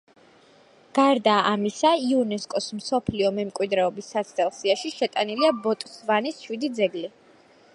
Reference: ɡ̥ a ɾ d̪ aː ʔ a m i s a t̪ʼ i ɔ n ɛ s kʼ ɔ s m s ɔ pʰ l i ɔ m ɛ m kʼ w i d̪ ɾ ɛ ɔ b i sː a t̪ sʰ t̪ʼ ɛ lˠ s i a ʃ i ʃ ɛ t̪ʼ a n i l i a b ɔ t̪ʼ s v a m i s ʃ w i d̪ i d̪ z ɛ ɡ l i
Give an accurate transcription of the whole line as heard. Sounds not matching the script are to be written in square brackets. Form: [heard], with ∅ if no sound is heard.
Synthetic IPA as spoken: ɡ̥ a ɾ d̪ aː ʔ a m i s a [∅] i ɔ n ɛ s kʼ ɔ s m s ɔ pʰ l i ɔ m ɛ m kʼ w i d̪ ɾ ɛ ɔ b i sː a t̪ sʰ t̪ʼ ɛ lˠ s i a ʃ i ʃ ɛ t̪ʼ a n i l i a b ɔ t̪ʼ s v a [n] i s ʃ w i d̪ i d̪ z ɛ ɡ l i

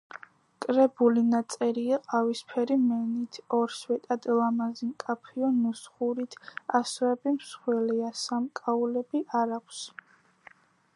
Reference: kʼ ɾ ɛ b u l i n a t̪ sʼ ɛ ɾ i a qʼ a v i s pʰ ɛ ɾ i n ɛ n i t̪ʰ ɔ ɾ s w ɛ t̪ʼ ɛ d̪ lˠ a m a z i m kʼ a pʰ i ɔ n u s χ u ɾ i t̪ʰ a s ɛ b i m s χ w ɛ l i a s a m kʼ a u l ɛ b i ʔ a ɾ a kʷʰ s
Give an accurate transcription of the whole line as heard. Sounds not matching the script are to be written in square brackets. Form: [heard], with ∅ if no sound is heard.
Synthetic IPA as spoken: kʼ ɾ ɛ b u l i n a t̪ sʼ ɛ ɾ i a qʼ a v i s pʰ ɛ ɾ i [m] ɛ n i t̪ʰ ɔ ɾ s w ɛ t̪ʼ [a] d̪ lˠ a m a z i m kʼ a pʰ i ɔ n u s χ u ɾ i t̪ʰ a s ɛ b i m s χ w ɛ l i a s a m kʼ a u l ɛ b i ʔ a ɾ a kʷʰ s

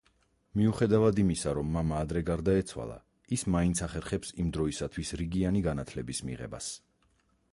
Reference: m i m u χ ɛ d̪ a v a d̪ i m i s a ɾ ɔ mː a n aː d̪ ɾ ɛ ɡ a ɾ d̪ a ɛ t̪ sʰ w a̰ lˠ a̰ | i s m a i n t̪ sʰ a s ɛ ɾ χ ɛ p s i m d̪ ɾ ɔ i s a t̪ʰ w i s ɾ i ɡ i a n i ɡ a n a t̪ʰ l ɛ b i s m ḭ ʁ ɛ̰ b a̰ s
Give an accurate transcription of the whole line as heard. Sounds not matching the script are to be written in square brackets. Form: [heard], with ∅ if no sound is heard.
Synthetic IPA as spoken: m i [∅] u χ ɛ d̪ a v a d̪ i m i s a ɾ ɔ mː a [m] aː d̪ ɾ ɛ ɡ a ɾ d̪ a ɛ t̪ sʰ w a̰ lˠ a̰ | i s m a i n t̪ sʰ a [χ] ɛ ɾ χ ɛ p s i m d̪ ɾ ɔ i s a t̪ʰ w i s ɾ i ɡ i a n i ɡ a n a t̪ʰ l ɛ b i s m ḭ ʁ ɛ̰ b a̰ s

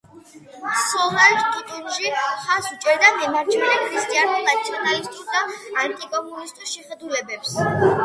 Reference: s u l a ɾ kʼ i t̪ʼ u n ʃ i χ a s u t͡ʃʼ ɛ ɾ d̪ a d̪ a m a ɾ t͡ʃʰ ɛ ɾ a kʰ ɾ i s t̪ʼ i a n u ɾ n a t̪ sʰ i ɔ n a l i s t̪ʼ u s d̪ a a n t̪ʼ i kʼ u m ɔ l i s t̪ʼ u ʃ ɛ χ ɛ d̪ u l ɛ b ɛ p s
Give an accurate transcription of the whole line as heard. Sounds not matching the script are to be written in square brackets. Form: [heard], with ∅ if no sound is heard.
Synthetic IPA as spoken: s [ɔ] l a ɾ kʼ i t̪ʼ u n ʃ i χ a s u t͡ʃʼ ɛ ɾ d̪ a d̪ [ɛ] m a ɾ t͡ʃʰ ɛ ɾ [ɛ] kʰ ɾ i s t̪ʼ i a n u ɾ n a t̪ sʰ i ɔ n a l i s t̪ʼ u s d̪ a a n t̪ʼ i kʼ [ɔ] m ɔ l i s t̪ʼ u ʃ ɛ χ ɛ d̪ u l ɛ b ɛ p s

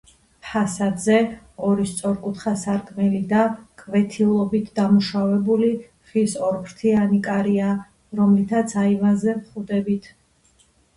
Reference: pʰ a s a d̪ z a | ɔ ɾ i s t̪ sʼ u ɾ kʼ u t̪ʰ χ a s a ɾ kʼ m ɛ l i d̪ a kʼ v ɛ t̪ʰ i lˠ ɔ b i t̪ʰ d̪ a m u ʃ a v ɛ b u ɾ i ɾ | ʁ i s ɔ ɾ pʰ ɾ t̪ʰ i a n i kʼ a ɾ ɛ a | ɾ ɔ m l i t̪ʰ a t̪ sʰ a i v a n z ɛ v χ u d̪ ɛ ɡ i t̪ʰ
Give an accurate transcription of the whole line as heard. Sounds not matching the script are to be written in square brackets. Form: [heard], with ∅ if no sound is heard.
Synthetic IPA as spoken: pʰ a s a d̪ z [ɛ] | ɔ ɾ i s t̪ sʼ [ɔ] ɾ kʼ u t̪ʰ χ a s a ɾ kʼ m ɛ l i d̪ a kʼ v ɛ t̪ʰ i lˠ ɔ b i t̪ʰ d̪ a m u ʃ a v ɛ b u [l] i [∅] | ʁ i s ɔ ɾ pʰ ɾ t̪ʰ i a n i kʼ a ɾ [i] a | ɾ ɔ m l i t̪ʰ a t̪ sʰ a i v a n z ɛ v χ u d̪ ɛ [b] i t̪ʰ

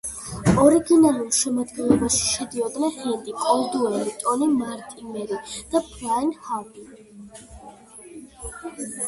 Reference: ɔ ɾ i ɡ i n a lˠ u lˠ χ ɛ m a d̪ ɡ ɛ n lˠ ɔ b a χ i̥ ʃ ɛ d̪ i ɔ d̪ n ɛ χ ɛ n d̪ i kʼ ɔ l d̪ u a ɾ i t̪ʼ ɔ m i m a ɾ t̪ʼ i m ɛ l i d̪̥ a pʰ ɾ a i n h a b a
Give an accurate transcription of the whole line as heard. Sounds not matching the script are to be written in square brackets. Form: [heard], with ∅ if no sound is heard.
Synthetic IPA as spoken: ɔ ɾ i ɡ i n a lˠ u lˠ [ʃ] ɛ m a d̪ ɡ ɛ n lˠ ɔ b a [ʃ] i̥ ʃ ɛ d̪ i ɔ d̪ n ɛ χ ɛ n d̪ i kʼ ɔ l d̪ u [ɛ] ɾ i t̪ʼ ɔ [n] i m a ɾ t̪ʼ i m ɛ [ɾ] i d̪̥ a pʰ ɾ a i n h a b [i]

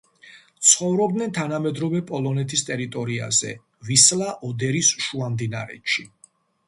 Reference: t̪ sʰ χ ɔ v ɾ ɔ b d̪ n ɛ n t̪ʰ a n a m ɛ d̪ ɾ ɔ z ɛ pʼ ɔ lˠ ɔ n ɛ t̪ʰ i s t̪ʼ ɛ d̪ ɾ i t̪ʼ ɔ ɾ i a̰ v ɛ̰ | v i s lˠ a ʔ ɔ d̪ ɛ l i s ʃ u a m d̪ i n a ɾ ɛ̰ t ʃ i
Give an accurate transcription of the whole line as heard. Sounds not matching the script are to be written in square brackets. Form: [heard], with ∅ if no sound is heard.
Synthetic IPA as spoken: t̪ sʰ χ ɔ v ɾ ɔ b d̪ n ɛ n t̪ʰ a n a m ɛ d̪ ɾ ɔ [v] ɛ pʼ ɔ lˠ ɔ n ɛ t̪ʰ i s t̪ʼ ɛ [∅] ɾ i t̪ʼ ɔ ɾ i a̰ [z] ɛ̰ | v i s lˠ a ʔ ɔ d̪ ɛ [ɾ] i s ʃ u a m d̪ i n a ɾ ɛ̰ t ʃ i

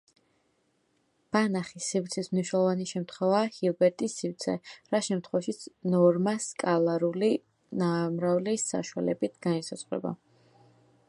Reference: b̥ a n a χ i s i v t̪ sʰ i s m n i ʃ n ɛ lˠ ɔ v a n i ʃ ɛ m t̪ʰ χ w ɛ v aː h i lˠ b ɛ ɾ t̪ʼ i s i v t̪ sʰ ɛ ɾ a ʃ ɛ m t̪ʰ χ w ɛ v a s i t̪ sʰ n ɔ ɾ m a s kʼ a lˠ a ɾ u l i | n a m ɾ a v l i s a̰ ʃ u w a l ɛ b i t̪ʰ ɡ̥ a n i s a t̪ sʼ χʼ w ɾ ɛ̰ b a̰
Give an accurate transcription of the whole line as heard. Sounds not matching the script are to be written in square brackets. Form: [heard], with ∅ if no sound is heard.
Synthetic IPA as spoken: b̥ a n a χ i s i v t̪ sʰ i s m n i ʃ n ɛ lˠ ɔ v a n i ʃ ɛ m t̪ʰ χ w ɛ v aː h i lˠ b ɛ ɾ t̪ʼ i s i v t̪ sʰ ɛ ɾ a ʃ ɛ m t̪ʰ χ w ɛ v a [ʃ] i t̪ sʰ n ɔ ɾ m a s kʼ a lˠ a ɾ u l i | n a m ɾ a v l i s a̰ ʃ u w a l ɛ b i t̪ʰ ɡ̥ a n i s a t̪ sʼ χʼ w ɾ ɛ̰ b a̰

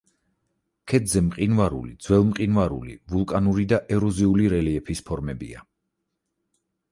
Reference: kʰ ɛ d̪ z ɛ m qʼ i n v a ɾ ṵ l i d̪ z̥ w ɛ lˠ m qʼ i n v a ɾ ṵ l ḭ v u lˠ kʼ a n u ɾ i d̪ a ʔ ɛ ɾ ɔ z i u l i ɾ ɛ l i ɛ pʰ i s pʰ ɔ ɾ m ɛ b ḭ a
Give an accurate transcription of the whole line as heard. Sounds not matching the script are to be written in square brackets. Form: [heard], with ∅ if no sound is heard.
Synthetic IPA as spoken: kʰ ɛ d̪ z ɛ m qʼ i n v a ɾ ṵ l i d̪ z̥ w ɛ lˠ m qʼ i n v a ɾ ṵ l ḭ v u lˠ kʼ a n u ɾ i d̪ a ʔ ɛ ɾ ɔ z i u l i ɾ ɛ l i ɛ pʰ i s pʰ ɔ ɾ m ɛ b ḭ a

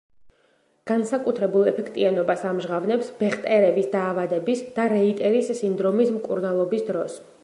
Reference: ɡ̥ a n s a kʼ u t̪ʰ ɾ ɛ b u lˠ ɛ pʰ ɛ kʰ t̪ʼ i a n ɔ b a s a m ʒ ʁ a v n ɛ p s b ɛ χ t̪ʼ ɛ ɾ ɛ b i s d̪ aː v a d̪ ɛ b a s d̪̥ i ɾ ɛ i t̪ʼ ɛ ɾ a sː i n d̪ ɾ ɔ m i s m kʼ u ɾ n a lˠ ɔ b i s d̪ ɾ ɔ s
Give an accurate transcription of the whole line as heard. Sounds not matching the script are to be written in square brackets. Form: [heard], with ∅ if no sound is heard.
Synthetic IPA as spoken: ɡ̥ a n s a kʼ u t̪ʰ ɾ ɛ b u lˠ ɛ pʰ ɛ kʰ t̪ʼ i a n ɔ b a s a m ʒ ʁ a v n ɛ p s b ɛ χ t̪ʼ ɛ ɾ ɛ b i s d̪ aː v a d̪ ɛ b [i] s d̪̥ [a] ɾ ɛ i t̪ʼ ɛ ɾ [i] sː i n d̪ ɾ ɔ m i s m kʼ u ɾ n a lˠ ɔ b i s d̪ ɾ ɔ s

